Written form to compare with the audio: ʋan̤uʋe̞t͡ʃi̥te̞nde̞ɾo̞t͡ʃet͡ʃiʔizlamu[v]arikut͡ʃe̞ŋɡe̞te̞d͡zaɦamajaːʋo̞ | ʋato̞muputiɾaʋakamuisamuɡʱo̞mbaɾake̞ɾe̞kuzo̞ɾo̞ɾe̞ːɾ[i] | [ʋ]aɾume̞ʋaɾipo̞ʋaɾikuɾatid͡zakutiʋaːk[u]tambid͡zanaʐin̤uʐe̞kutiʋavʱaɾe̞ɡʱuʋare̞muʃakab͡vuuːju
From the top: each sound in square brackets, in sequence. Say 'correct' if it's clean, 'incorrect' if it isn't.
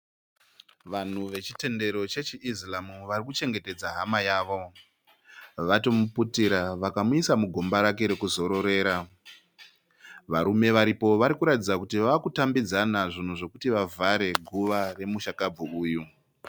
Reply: incorrect, incorrect, correct, correct

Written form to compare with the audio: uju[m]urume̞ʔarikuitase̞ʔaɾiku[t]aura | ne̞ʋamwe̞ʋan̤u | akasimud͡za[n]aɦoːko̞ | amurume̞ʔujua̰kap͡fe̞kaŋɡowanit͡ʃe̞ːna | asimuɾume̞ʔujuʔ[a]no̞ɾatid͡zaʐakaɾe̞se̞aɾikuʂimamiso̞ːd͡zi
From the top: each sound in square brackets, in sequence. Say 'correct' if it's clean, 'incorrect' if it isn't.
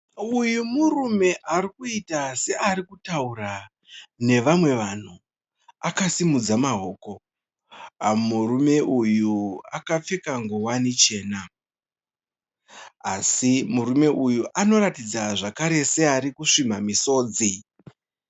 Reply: correct, correct, incorrect, correct

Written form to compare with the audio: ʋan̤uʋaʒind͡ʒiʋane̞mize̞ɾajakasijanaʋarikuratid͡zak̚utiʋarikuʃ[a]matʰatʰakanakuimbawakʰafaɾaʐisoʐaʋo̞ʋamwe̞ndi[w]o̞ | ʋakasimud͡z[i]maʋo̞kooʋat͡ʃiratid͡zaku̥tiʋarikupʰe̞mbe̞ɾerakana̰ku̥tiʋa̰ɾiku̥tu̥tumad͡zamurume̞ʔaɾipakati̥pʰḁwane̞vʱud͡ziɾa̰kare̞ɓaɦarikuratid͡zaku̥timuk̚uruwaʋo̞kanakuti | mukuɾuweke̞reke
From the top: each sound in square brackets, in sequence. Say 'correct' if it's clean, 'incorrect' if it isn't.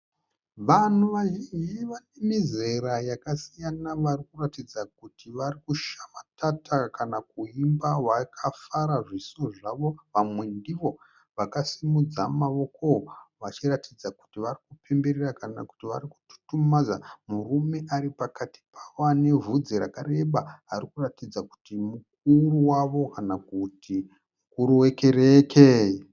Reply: correct, incorrect, incorrect

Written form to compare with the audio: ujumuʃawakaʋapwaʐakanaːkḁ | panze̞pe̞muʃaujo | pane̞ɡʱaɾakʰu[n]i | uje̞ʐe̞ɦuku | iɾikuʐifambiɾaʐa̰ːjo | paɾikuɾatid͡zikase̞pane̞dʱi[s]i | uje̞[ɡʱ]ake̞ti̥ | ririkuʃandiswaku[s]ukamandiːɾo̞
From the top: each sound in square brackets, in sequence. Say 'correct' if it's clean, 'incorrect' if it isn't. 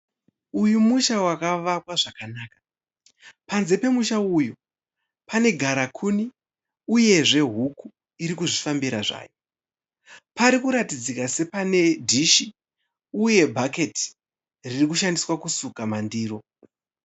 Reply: correct, incorrect, incorrect, correct

